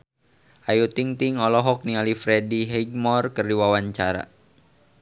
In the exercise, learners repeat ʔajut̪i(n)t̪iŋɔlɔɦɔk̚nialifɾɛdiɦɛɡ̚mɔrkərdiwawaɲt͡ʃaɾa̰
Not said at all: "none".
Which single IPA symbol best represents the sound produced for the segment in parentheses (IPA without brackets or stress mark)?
ŋ